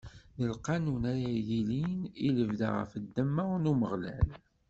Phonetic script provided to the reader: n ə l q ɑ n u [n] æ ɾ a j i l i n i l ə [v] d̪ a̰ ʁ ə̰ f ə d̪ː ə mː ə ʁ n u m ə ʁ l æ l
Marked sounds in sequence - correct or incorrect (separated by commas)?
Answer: correct, correct